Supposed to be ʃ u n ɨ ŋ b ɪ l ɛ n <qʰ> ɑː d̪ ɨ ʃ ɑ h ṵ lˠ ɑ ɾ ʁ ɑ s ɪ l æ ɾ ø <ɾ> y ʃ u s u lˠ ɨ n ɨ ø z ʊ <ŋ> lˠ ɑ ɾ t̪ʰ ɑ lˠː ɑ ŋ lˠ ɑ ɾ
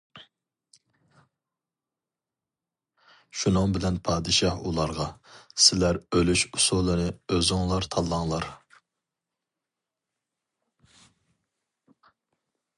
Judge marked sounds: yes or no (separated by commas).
no, no, yes